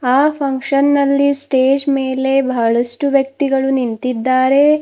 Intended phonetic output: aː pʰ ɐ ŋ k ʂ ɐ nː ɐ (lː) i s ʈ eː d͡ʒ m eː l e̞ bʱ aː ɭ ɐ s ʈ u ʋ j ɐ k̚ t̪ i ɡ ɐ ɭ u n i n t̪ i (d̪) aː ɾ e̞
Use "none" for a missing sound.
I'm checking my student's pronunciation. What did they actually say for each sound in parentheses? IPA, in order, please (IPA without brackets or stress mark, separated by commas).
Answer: lː, d̪ː